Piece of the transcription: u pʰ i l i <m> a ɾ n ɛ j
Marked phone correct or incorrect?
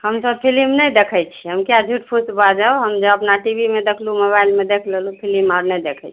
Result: correct